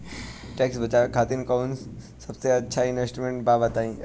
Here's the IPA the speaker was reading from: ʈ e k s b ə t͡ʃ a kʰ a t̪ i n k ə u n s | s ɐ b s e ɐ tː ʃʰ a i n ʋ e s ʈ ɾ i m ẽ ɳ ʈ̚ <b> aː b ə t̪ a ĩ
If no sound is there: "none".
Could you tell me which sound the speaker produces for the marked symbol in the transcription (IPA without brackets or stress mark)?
b